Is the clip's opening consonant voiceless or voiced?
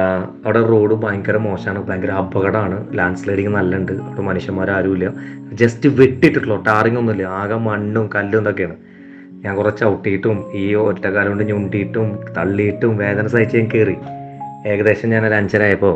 voiced